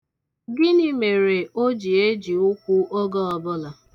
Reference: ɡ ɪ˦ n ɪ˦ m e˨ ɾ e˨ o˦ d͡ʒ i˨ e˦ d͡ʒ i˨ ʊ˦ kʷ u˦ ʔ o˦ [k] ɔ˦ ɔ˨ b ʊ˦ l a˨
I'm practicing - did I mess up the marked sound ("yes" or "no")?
yes